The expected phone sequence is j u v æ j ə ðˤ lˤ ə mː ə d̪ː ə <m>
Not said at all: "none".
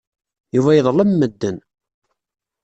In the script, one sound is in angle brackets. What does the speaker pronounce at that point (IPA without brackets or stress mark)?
n